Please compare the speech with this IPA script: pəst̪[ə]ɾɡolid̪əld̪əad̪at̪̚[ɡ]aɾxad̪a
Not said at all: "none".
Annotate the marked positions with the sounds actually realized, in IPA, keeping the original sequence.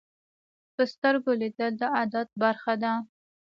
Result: ə, b

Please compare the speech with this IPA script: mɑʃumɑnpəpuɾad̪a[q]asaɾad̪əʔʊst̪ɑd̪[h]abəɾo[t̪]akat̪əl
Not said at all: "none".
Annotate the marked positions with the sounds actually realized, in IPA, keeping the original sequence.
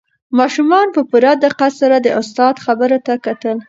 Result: q, x, t̪

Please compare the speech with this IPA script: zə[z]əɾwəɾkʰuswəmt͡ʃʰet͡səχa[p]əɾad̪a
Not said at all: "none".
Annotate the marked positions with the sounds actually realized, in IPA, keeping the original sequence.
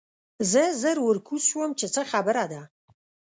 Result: z, b

